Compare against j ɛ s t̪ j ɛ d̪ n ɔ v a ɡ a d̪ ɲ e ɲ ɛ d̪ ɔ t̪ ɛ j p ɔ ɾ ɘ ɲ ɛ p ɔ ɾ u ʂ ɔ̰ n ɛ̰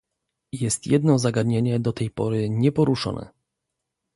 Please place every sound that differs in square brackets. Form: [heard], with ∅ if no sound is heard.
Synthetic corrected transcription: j ɛ s t̪ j ɛ d̪ n ɔ [z] a ɡ a d̪ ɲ e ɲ ɛ d̪ ɔ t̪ ɛ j p ɔ ɾ ɘ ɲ ɛ p ɔ ɾ u ʂ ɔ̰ n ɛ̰